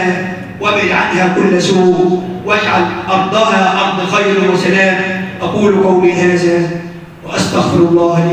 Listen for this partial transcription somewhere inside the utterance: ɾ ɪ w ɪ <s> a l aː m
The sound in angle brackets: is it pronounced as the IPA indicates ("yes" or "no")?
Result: yes